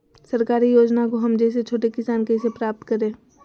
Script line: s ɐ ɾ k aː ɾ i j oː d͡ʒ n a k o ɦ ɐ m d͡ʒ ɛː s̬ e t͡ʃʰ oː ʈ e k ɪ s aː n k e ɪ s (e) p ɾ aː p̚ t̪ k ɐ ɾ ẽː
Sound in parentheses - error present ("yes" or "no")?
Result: no